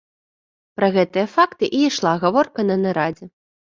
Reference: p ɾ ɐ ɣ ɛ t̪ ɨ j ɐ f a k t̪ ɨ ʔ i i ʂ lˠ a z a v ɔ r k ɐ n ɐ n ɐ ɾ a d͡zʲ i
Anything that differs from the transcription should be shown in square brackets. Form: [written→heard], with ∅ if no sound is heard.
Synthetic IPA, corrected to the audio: p ɾ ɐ ɣ ɛ t̪ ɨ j ɐ f a k t̪ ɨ ʔ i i ʂ lˠ a [z→ɣ] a v ɔ r k ɐ n ɐ n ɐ ɾ a d͡zʲ [i→ɛ]